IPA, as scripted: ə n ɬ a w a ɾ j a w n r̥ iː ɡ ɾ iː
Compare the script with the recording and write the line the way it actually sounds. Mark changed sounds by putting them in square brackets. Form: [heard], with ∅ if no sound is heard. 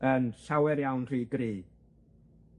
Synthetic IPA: ə n ɬ a w [ɛ] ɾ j a w n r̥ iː ɡ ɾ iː